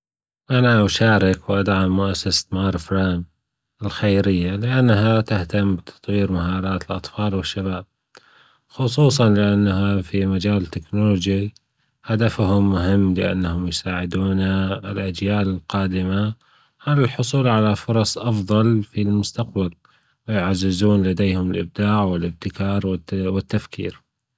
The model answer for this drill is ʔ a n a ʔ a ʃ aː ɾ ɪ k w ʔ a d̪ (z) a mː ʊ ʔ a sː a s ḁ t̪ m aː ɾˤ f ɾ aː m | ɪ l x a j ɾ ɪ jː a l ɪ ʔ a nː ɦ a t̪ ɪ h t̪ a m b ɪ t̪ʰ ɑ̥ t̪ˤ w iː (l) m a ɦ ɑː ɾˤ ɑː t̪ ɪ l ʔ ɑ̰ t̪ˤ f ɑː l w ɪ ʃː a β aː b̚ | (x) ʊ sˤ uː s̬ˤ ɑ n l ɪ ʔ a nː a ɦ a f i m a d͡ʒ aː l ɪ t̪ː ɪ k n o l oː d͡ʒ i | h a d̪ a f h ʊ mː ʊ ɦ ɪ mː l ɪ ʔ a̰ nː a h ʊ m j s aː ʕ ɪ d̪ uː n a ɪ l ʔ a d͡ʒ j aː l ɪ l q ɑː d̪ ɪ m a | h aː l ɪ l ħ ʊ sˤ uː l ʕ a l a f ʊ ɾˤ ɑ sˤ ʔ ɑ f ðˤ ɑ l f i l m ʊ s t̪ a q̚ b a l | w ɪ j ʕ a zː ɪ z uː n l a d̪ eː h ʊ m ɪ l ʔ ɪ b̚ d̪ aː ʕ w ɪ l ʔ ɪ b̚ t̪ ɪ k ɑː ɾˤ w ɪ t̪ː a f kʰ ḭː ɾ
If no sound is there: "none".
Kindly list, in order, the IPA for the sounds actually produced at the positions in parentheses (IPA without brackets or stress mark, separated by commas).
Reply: ʕ, ɾ, x